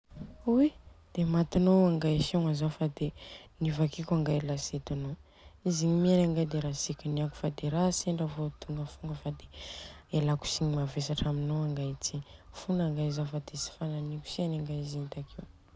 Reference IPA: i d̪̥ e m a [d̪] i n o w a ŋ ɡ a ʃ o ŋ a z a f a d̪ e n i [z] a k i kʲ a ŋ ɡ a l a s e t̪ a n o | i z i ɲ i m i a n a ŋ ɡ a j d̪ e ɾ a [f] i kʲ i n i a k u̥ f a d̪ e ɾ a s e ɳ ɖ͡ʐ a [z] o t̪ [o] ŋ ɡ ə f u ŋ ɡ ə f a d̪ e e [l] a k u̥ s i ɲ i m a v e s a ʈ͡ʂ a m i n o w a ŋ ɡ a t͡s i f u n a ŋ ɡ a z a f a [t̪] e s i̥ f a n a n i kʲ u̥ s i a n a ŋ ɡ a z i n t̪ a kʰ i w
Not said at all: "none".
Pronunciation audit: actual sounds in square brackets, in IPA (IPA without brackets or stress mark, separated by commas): t̪, v, s, v, u, l, d̪